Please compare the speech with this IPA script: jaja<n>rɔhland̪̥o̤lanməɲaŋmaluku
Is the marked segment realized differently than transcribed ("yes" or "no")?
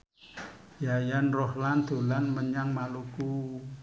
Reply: no